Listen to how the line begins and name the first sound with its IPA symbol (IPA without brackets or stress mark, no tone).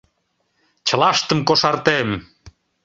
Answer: t͡ɕ